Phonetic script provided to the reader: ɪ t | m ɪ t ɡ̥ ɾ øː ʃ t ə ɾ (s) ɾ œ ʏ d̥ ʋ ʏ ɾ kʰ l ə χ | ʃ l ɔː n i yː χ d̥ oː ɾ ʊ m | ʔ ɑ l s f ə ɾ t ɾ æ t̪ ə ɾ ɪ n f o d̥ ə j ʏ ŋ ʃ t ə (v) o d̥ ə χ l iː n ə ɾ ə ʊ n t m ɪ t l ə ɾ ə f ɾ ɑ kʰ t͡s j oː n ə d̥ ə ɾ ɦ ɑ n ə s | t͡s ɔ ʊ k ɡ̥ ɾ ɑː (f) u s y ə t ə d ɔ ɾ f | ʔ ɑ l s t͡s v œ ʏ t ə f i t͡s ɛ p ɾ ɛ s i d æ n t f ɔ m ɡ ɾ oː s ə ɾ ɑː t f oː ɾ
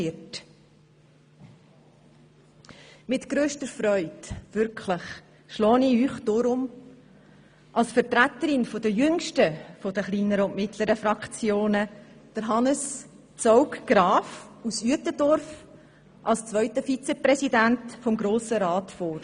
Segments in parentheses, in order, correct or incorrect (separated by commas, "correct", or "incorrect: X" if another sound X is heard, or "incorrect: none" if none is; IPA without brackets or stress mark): incorrect: f, incorrect: f, correct